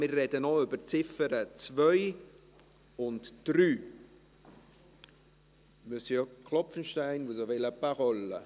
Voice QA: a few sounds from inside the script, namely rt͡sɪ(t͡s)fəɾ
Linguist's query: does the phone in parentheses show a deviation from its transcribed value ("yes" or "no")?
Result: yes